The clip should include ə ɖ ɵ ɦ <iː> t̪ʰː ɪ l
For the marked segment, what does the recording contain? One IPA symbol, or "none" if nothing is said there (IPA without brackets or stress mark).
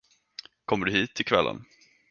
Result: iː